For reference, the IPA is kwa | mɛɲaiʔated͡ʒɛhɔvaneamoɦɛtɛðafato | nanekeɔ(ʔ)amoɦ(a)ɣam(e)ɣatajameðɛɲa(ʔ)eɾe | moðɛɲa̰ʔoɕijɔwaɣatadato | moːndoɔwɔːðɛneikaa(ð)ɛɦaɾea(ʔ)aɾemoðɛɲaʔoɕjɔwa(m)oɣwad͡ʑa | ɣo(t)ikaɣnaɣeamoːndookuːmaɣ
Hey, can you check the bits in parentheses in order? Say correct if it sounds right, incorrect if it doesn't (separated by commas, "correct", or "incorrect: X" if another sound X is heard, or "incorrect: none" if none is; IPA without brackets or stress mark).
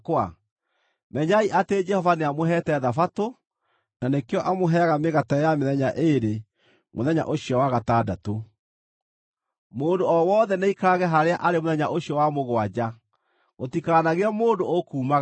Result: correct, incorrect: ɛ, correct, correct, incorrect: ɣ, correct, correct, correct